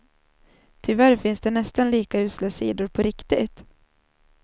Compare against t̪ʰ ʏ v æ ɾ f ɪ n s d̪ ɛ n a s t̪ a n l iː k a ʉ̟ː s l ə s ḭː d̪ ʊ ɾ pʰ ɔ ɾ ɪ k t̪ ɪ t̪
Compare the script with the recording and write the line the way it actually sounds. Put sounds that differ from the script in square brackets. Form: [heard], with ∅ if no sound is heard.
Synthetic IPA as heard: t̪ʰ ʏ v æ ɾ f ɪ n s d̪ ɛ n [ɛ] s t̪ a n l iː k a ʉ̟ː s l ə s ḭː d̪ ʊ ɾ pʰ ɔ ɾ ɪ k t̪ ɪ t̪